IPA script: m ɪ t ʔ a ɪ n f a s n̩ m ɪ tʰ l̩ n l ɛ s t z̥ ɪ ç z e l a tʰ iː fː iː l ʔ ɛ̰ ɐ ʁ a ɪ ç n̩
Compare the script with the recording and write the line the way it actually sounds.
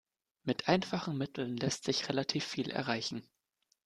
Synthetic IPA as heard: m ɪ t ʔ a ɪ n f a χ n̩ m ɪ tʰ l̩ n l ɛ s t z̥ ɪ ç ʁ e l a tʰ iː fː iː l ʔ ɛ̰ ɐ ʁ a ɪ ç n̩

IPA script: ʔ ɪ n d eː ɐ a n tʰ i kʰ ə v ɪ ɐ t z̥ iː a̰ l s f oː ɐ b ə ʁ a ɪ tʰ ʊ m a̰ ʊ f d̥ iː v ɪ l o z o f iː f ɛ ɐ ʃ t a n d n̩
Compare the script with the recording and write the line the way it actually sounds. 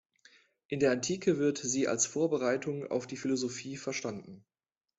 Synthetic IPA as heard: ʔ ɪ n d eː ɐ a n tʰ iː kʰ ə v ɪ ɐ t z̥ iː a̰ l s f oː ɐ b ə ʁ a ɪ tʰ ʊ ŋ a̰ ʊ f d̥ iː f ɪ l o z o f iː f ɛ ɐ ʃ t a n d n̩

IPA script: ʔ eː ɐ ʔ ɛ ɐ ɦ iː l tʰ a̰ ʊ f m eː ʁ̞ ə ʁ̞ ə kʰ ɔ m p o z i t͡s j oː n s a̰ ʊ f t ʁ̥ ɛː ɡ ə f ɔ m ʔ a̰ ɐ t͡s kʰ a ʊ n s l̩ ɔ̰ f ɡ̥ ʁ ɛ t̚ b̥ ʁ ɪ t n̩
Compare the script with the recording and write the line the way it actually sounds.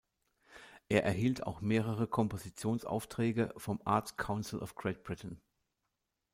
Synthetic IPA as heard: ʔ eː ɐ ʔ ɛ ɐ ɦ iː l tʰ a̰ ʊ x m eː ʁ̞ ə ʁ̞ ə kʰ ɔ m p o z i t͡s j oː n s a̰ ʊ f t ʁ̥ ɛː ɡ ə f ɔ m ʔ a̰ ɐ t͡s kʰ a ʊ n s l̩ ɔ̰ f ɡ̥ ʁ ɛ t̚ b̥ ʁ ɪ t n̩

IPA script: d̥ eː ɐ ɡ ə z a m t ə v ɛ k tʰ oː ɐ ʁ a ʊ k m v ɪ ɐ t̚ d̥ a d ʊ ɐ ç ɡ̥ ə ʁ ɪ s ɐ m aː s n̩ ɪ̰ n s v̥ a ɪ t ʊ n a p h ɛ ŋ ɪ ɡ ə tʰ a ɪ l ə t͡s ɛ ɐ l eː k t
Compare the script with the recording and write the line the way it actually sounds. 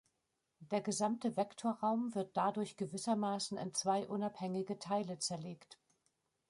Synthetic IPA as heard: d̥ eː ɐ ɡ ə z a m t ə v ɛ k tʰ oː ɐ ʁ a ʊ m v ɪ ɐ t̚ d̥ a d ʊ ɐ ç ɡ̥ ə v ɪ s ɐ m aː s n̩ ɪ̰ n t͡s v̥ a ɪ ʔ ʊ n a p h ɛ ŋ ɪ ɡ ə tʰ a ɪ l ə t͡s ɛ ɐ l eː k t

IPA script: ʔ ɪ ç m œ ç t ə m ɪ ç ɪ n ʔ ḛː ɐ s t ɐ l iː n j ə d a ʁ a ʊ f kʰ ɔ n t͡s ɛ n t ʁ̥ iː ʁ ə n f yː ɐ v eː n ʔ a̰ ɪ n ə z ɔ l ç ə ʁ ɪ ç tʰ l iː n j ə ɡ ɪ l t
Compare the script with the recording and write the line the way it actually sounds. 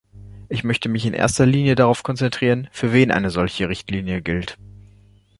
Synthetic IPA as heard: ʔ ɪ ç m œ ç t ə m ɪ ç ɪ n ʔ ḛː ɐ s t ɐ l iː n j ə d a ʁ a ʊ f kʰ ɔ n t͡s ɛ n t ʁ̥ iː ʁ ə n f yː ɐ v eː n ʔ a̰ ɪ n ə z ɔ l ç ə ʁ ɪ ç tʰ l iː n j ə ɡ ɪ l t

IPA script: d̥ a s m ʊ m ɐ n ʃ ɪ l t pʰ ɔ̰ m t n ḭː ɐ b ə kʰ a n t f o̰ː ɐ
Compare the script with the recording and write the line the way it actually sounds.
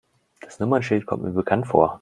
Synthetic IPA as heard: d̥ a s n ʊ m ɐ n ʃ ɪ l t kʰ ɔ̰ m t m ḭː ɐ b ə kʰ a n t f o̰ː ɐ

